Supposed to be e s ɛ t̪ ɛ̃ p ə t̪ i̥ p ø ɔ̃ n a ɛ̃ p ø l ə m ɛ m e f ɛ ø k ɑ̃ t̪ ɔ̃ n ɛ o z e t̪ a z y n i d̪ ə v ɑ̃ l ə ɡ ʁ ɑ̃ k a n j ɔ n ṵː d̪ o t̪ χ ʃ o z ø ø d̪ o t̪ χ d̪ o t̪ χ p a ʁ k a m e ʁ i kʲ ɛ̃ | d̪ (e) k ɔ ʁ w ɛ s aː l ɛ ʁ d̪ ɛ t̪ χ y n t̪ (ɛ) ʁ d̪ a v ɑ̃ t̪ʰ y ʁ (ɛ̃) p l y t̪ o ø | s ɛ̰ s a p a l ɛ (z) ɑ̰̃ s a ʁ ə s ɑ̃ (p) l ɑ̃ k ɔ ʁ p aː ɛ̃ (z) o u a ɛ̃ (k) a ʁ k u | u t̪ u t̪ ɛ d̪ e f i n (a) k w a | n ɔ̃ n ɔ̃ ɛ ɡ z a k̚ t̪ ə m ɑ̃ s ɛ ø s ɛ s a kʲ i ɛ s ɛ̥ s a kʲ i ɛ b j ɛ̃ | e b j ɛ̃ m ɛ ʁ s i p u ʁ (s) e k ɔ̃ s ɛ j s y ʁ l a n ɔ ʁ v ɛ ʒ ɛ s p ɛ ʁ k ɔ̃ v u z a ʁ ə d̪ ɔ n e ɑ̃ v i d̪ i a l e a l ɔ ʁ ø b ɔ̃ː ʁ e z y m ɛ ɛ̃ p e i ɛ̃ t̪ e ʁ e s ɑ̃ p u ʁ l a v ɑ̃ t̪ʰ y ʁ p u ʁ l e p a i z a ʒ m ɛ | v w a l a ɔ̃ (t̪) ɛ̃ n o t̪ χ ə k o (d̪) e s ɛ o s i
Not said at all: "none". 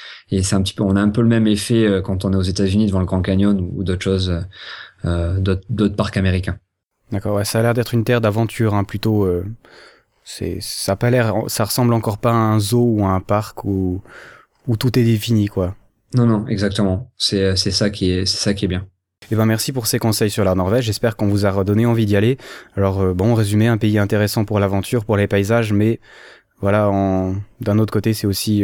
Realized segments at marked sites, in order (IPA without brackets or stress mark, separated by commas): a, ɛ, ɛ̃, ʁ, b, z, p, i, s, d̪, t̪